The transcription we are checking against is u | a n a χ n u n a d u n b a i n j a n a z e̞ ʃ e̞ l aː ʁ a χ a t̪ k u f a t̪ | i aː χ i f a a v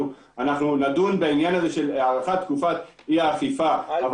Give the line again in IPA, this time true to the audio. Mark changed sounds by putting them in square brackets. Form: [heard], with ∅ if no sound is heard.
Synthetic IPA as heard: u | a n a χ n u n a d u n b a i n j a n a z e̞ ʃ e̞ l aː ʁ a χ a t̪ k u f a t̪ | i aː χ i f a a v